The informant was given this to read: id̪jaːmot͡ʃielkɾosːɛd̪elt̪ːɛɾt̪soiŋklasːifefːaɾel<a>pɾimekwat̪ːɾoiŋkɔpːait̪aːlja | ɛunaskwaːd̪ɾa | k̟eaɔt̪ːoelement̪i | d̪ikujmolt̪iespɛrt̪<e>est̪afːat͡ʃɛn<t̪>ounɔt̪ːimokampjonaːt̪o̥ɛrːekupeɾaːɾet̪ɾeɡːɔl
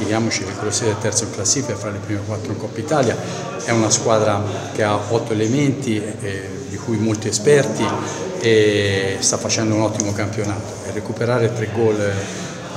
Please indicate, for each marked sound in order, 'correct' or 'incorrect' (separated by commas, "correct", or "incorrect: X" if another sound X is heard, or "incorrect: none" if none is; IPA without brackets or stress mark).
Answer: incorrect: e, incorrect: i, incorrect: d̪